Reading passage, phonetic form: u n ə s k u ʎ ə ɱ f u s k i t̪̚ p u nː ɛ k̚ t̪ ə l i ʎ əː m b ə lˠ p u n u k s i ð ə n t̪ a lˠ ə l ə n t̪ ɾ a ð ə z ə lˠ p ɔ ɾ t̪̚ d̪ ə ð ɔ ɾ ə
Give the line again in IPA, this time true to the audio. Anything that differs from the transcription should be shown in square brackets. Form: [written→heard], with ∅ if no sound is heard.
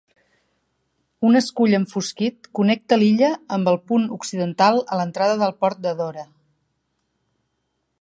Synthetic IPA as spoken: u n ə s k u ʎ ə ɱ f u s k i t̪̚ [p→k] u [nː→n] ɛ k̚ t̪ ə l i ʎ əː m b ə lˠ p u n u k s i ð ə n t̪ a lˠ ə l ə n t̪ ɾ a ð ə [z→ð] ə lˠ p ɔ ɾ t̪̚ d̪ ə ð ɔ ɾ ə